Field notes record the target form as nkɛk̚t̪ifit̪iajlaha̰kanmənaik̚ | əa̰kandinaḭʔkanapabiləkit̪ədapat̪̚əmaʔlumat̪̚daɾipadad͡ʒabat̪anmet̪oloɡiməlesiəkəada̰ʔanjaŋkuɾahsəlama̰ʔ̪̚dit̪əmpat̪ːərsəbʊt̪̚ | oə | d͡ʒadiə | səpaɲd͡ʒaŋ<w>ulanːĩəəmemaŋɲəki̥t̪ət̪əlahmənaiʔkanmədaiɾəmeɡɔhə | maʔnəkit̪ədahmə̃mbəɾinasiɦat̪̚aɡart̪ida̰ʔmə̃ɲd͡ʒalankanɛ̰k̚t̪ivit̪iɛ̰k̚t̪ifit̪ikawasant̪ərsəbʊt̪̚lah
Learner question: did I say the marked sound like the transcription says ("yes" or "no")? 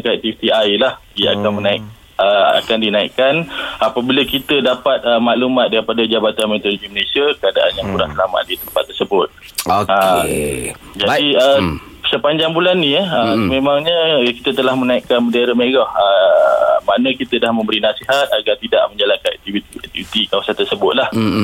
no